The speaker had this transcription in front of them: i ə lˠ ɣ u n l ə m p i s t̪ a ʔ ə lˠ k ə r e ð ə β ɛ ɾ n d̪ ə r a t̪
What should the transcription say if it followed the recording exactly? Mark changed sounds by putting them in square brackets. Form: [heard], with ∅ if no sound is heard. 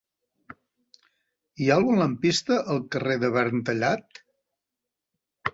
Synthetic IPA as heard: i [a] lˠ ɣ u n l ə m p i s t̪ [ə] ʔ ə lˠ k ə r e ð ə β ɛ ɾ n [t̪] ə [ʎ] a t̪